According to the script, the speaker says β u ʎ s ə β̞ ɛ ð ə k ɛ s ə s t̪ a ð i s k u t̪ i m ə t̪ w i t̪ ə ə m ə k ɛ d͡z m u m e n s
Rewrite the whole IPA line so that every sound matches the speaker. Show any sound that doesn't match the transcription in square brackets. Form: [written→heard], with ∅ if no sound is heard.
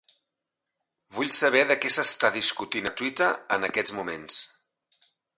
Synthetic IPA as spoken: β u ʎ s ə β̞ ɛ ð ə k ɛ s ə s t̪ a ð i s k u t̪ i [m→n] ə t̪ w i t̪ ə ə [m→n] ə k ɛ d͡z m u m e n s